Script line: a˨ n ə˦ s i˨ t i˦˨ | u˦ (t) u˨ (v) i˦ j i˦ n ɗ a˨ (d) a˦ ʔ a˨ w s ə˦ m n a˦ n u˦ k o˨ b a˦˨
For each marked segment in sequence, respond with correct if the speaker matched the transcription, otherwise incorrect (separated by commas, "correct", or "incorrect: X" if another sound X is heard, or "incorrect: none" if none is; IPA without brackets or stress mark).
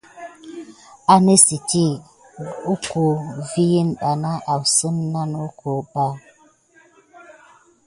incorrect: k, correct, incorrect: n